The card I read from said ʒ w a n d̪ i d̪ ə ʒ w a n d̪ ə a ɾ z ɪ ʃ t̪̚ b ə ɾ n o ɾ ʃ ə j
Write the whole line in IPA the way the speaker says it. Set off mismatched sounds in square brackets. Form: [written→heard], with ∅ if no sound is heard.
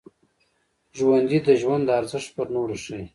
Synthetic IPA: ʒ w a n d̪ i d̪ ə ʒ w a n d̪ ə a ɾ z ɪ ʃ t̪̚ [b→p] ə ɾ n o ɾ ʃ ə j